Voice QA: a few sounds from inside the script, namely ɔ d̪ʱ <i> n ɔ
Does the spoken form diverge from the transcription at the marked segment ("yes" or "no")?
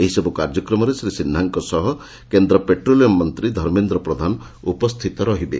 yes